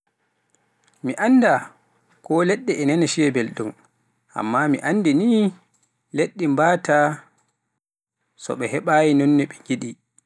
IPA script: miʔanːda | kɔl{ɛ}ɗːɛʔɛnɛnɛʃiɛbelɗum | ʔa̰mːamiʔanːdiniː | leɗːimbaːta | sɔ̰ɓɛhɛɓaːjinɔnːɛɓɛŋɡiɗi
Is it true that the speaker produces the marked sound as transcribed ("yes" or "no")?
yes